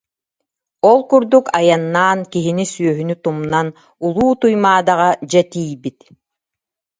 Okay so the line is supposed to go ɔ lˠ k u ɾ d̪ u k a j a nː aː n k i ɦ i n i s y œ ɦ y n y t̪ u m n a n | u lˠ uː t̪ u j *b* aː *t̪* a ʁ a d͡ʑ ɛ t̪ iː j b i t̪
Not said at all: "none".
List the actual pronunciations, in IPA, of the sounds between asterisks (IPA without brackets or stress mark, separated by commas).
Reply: m, d̪